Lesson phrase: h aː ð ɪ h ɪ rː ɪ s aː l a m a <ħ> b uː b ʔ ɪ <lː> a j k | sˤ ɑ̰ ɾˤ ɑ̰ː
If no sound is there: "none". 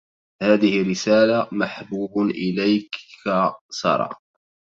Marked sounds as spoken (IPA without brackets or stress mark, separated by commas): ħ, l